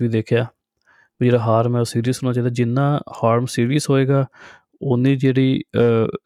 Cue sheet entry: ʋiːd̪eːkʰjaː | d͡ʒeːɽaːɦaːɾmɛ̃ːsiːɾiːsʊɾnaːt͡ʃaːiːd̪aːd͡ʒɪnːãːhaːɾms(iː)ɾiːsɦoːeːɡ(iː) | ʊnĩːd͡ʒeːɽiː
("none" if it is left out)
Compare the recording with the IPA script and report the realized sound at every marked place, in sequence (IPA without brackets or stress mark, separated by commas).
iː, aː